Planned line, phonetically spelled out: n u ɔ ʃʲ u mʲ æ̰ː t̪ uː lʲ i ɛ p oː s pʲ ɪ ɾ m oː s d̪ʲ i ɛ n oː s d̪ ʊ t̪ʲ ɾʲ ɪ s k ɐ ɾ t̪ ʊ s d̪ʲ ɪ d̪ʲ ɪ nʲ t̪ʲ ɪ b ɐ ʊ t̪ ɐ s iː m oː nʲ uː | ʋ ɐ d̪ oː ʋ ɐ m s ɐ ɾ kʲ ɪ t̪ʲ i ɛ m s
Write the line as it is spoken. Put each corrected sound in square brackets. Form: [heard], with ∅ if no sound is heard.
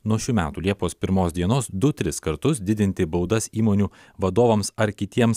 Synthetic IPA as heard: n u ɔ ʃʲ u mʲ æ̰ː t̪ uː lʲ i ɛ p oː s pʲ ɪ ɾ m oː s d̪ʲ i ɛ n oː s d̪ ʊ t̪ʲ ɾʲ ɪ s k ɐ ɾ t̪ ʊ s d̪ʲ ɪ d̪ʲ ɪ nʲ t̪ʲ ɪ b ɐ ʊ [d̪] ɐ s iː m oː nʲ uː | ʋ ɐ d̪ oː ʋ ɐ m s ɐ ɾ kʲ ɪ t̪ʲ i ɛ m s